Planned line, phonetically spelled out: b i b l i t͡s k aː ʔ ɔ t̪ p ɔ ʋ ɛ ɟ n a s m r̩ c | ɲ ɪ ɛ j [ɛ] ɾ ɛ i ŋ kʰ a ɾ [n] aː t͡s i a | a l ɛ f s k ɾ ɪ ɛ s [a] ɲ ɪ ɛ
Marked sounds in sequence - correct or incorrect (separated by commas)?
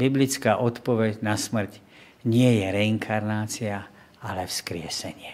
correct, correct, incorrect